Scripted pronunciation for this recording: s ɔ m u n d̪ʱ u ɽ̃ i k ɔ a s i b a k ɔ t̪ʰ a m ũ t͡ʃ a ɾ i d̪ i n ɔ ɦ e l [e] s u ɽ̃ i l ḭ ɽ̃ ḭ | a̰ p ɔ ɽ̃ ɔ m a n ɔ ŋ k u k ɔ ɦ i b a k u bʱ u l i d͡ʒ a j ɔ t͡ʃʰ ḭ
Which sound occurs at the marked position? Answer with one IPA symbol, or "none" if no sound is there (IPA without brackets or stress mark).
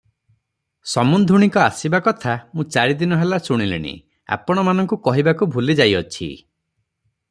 a